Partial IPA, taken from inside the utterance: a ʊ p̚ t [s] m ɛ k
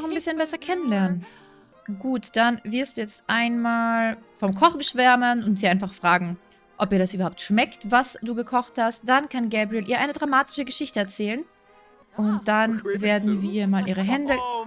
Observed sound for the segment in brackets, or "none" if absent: ʃ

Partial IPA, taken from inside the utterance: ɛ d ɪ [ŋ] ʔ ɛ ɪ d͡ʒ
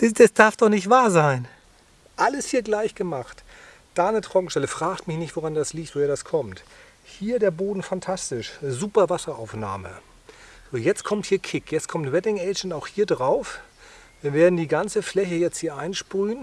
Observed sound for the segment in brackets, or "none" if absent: ŋ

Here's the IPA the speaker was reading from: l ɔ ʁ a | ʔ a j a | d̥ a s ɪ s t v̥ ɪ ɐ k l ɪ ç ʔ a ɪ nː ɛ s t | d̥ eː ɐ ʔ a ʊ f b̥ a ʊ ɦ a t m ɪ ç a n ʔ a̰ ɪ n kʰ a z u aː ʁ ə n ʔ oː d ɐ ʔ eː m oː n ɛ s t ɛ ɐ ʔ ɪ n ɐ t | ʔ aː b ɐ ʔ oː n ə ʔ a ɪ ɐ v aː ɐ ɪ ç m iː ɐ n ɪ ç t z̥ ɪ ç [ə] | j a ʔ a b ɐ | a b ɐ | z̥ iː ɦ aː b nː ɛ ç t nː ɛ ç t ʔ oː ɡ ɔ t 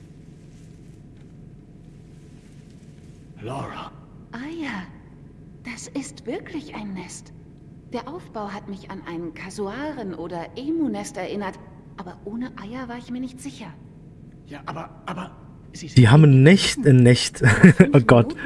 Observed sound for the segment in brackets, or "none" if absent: ɐ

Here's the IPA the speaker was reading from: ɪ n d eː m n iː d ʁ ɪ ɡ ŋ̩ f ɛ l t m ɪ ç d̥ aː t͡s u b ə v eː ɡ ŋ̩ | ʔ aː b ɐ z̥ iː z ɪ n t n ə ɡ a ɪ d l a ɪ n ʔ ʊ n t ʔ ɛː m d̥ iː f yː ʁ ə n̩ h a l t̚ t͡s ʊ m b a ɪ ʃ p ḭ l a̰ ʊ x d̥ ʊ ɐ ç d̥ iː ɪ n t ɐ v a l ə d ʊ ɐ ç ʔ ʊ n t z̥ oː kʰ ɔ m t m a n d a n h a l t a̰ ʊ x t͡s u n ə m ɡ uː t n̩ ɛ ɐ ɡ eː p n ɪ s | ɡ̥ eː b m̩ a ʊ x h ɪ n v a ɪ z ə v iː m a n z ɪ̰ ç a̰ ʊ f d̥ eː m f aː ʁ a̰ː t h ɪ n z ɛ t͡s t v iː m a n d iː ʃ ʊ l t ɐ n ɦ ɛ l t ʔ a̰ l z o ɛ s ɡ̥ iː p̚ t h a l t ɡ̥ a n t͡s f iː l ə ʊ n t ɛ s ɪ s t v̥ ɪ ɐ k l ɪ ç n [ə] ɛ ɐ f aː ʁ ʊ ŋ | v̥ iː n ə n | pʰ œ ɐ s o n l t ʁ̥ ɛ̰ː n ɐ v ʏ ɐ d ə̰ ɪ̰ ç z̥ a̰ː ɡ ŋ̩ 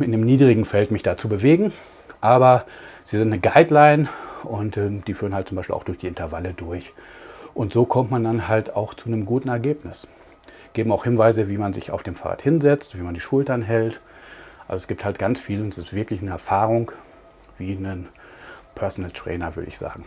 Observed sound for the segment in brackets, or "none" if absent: ə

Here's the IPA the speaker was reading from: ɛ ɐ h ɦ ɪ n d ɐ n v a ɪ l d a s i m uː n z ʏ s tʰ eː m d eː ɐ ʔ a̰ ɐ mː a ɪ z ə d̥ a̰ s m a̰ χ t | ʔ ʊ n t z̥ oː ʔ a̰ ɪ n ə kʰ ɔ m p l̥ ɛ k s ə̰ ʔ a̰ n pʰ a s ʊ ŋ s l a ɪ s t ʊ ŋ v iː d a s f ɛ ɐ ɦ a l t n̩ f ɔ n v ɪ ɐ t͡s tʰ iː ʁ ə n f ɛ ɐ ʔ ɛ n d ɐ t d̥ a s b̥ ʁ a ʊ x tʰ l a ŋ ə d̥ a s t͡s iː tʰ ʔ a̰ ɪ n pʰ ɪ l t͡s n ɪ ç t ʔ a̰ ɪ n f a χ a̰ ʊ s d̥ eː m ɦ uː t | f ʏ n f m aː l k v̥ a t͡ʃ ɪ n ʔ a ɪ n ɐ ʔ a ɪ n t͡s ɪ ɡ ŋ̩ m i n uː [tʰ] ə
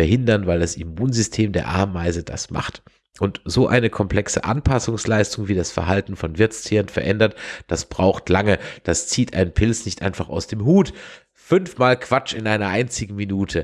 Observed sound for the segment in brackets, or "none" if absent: tʰ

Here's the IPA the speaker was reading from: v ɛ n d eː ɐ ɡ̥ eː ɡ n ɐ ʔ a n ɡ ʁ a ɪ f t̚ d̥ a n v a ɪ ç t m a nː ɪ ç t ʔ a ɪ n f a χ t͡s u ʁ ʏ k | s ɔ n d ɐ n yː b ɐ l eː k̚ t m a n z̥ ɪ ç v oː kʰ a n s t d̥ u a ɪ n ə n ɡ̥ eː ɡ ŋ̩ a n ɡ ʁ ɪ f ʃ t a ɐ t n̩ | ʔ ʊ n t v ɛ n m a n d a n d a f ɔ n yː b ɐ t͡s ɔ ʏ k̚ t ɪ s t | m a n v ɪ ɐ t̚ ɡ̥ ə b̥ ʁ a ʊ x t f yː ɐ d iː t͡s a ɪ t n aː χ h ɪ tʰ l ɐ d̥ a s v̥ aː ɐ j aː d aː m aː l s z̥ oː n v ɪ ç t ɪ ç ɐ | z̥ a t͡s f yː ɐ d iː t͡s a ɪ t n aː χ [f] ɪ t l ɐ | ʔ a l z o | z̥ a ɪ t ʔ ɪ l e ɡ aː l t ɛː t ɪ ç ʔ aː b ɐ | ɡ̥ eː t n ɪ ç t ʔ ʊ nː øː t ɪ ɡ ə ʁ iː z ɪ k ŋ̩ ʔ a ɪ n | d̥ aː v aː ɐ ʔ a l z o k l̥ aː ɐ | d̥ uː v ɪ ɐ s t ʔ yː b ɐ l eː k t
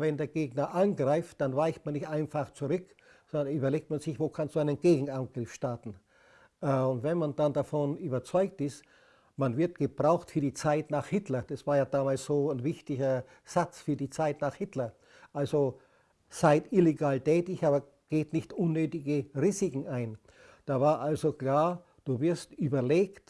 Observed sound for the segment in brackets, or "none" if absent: h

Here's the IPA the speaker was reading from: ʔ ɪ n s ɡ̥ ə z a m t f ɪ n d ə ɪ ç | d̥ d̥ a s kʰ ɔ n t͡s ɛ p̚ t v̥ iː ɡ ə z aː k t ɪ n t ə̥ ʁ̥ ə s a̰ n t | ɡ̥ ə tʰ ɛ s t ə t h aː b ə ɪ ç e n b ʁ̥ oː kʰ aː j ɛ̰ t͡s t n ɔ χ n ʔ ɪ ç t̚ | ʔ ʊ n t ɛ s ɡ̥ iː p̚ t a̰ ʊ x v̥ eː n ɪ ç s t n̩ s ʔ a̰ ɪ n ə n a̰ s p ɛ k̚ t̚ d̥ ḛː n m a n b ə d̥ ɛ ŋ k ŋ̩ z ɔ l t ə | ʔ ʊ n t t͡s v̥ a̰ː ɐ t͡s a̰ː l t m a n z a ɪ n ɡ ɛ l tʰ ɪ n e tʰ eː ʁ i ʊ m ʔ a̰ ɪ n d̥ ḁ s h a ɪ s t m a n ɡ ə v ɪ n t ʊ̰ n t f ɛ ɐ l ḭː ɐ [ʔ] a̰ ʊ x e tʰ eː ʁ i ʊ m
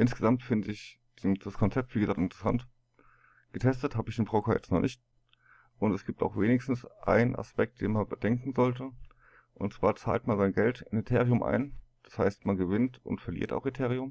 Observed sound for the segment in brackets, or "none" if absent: t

